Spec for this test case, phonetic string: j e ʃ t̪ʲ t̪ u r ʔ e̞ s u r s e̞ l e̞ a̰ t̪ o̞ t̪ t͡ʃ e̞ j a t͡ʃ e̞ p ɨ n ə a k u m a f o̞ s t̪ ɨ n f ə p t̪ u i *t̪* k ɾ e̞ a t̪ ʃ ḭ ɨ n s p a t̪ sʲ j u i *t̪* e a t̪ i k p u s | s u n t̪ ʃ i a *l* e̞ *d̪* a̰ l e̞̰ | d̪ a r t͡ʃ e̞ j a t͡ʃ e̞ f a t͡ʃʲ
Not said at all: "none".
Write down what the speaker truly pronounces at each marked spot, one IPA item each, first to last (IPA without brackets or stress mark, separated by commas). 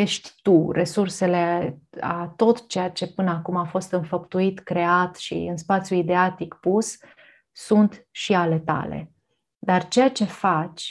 t̪, d̪, l, t̪